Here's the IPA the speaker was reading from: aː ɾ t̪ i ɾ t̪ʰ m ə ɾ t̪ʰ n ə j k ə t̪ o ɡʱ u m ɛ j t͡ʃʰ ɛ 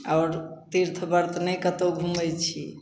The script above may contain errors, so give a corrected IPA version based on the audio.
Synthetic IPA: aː ɾ t̪ i ɾ t̪ʰ b ə ɾ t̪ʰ n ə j k ə t̪ o ɡʱ u m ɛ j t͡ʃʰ i